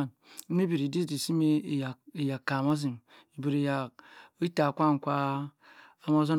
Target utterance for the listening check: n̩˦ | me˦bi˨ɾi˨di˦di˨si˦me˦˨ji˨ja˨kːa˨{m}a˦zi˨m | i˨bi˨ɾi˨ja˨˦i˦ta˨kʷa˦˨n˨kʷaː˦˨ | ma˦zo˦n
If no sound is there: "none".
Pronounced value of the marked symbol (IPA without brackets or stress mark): m